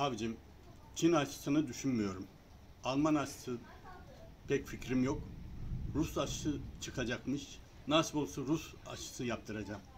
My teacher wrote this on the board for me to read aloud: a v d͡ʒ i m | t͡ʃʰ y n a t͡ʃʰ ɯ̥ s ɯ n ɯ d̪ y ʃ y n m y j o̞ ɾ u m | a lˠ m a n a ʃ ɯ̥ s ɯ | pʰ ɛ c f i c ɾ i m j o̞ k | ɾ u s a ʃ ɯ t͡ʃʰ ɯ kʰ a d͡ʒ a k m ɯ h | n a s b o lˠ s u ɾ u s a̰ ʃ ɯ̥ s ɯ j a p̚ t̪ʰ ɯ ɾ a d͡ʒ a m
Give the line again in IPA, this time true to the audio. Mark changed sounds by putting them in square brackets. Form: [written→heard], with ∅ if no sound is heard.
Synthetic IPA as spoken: a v d͡ʒ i m | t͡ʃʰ [y→i] n a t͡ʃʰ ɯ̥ s ɯ n ɯ d̪ y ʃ y n m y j o̞ ɾ u m | a lˠ m a n a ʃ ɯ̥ s ɯ | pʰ ɛ c f i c ɾ i m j o̞ k | ɾ u s a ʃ ɯ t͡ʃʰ ɯ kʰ a d͡ʒ a k m ɯ [h→ʃ] | n a s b o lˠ s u ɾ u s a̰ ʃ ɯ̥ s ɯ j a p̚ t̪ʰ ɯ ɾ a d͡ʒ a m